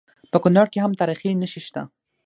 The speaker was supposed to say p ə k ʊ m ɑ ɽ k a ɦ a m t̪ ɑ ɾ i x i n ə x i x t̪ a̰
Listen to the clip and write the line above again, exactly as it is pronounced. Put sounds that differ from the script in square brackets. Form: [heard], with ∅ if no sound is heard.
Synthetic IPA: p ə k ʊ [n] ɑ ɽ k [e] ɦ a m t̪ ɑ ɾ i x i n ə [ʃ] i [ʃ] t̪ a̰